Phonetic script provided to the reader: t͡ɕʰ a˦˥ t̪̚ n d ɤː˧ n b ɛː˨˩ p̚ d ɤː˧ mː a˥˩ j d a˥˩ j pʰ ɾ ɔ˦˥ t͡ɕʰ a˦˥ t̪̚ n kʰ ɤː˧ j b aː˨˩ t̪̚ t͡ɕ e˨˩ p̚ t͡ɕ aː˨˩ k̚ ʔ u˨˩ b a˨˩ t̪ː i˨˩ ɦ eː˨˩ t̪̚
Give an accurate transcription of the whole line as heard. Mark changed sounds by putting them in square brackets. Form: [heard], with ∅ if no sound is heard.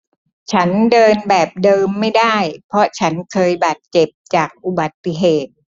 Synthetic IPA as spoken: t͡ɕʰ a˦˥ [∅] n d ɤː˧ n b ɛː˨˩ p̚ d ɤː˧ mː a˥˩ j d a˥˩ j pʰ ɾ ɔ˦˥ t͡ɕʰ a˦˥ [∅] n kʰ ɤː˧ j b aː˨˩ t̪̚ t͡ɕ e˨˩ p̚ t͡ɕ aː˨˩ k̚ ʔ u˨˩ b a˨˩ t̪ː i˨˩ ɦ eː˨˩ t̪̚